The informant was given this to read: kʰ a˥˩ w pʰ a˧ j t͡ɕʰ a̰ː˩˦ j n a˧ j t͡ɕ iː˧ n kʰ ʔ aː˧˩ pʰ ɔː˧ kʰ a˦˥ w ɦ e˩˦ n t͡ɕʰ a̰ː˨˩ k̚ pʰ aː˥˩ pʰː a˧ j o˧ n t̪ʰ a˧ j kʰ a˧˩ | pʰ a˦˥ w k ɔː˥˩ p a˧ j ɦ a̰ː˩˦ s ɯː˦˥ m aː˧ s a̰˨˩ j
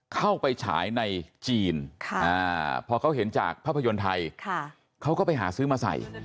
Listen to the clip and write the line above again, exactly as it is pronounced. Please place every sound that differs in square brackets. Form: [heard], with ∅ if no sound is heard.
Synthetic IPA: kʰ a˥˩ w [p] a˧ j t͡ɕʰ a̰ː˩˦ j n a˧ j t͡ɕ iː˧ n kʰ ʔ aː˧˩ pʰ ɔː˧ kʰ a˦˥ w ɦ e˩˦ n [t͡ɕ] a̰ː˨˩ k̚ pʰ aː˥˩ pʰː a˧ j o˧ n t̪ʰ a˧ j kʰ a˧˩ | [kʰ] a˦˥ w k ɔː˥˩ p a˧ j ɦ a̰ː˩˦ s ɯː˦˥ m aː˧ s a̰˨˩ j